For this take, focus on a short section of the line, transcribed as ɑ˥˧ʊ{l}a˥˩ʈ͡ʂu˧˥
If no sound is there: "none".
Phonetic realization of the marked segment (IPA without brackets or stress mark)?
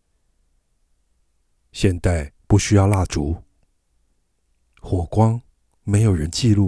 l